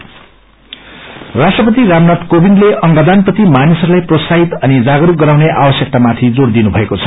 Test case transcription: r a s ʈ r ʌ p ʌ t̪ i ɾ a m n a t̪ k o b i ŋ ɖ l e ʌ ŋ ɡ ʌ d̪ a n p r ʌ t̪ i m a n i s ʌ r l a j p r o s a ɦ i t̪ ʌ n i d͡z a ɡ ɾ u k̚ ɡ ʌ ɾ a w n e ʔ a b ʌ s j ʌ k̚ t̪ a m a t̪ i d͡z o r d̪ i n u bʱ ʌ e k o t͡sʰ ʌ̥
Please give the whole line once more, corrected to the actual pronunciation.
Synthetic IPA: r a s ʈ r ʌ p ʌ t̪ i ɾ a m n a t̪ k o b i n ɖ l e ʌ ŋ ɡ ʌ d̪ a n p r ʌ t̪ i m a n i s ʌ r l a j p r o s a ɦ i t̪ ʌ n i d͡z a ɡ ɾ u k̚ ɡ ʌ ɾ a w n e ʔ a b ʌ s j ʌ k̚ t̪ a m a t̪ʰ i d͡z o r d̪ i n u bʱ ʌ e k o t͡sʰ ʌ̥